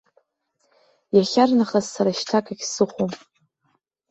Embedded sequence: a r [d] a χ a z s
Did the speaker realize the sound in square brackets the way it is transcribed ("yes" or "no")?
no